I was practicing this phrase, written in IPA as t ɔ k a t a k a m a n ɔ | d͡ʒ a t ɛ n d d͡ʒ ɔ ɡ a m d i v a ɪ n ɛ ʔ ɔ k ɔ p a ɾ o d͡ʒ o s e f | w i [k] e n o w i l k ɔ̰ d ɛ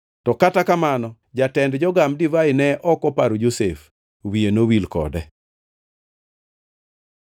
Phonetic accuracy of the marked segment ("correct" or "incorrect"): incorrect